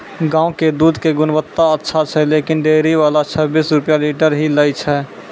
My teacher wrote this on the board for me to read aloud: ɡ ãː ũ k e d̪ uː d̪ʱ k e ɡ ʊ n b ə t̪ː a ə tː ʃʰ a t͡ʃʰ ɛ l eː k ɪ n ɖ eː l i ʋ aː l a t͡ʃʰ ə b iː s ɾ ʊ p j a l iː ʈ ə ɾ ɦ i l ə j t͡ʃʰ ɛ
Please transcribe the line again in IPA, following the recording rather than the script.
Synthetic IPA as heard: ɡ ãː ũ k e d̪ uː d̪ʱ k e ɡ ʊ n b ə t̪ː a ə tː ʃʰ a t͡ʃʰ ɛ l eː k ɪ n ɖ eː ɾ i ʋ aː l a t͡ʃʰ ə b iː s ɾ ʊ p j a l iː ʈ ə ɾ ɦ i l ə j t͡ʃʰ ɛ